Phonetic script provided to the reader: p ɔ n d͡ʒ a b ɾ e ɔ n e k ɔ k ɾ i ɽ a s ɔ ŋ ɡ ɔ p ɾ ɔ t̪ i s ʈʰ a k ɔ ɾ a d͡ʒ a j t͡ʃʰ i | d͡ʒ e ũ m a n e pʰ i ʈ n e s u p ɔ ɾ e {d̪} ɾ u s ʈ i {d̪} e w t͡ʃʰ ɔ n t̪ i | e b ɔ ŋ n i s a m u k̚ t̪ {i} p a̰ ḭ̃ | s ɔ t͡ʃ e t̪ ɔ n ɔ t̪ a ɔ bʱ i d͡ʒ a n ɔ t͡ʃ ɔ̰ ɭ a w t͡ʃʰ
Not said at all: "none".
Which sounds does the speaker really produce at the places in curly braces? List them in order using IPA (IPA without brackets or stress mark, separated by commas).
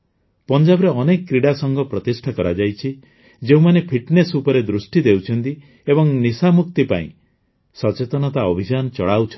d̪, d̪, i